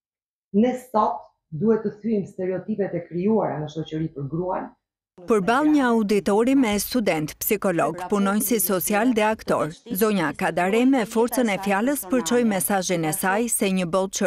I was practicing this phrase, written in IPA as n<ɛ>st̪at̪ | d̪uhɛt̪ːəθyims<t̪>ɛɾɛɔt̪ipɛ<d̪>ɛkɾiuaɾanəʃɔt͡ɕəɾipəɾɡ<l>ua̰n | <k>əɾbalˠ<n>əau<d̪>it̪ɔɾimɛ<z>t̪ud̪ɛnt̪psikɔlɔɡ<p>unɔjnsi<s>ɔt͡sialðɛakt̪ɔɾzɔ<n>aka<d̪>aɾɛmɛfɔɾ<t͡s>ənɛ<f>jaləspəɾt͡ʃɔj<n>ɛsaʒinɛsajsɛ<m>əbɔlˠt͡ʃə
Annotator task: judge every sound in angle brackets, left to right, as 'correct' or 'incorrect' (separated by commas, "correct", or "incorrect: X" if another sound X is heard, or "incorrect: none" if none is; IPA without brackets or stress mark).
correct, correct, incorrect: t̪, incorrect: ɾ, incorrect: p, incorrect: ɲ, correct, incorrect: s, correct, correct, incorrect: ɲ, correct, correct, correct, incorrect: m, incorrect: ɲ